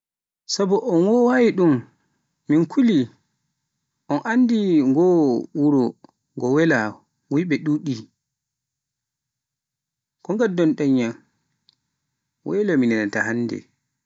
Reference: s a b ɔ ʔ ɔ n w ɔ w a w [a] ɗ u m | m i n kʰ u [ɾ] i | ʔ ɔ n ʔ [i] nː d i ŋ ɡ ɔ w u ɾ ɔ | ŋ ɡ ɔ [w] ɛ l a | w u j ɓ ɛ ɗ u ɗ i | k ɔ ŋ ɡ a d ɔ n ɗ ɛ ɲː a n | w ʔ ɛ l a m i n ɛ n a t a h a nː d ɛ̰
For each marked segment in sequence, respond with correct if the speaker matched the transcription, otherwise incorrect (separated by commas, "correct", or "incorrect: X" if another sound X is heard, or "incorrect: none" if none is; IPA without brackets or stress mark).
incorrect: i, incorrect: l, incorrect: a, correct